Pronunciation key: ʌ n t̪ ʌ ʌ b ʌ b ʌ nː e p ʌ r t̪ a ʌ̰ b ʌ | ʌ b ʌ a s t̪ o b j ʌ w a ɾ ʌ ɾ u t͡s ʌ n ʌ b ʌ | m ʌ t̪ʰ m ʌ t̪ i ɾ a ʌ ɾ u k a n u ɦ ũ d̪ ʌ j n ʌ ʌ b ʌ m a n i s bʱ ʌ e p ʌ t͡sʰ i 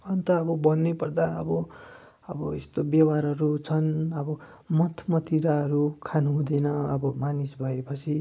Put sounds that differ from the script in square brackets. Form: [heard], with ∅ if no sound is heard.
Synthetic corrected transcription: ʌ n t̪ ʌ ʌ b ʌ b ʌ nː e p ʌ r [d̪] a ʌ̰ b ʌ | ʌ b ʌ [e] s t̪ o b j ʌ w a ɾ ʌ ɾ u [t͡sʰ] ʌ n ʌ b ʌ | m ʌ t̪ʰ m ʌ t̪ i ɾ a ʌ ɾ u [kʰ] a n u ɦ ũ d̪ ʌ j n ʌ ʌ b ʌ m a n i s bʱ ʌ e p ʌ t͡sʰ i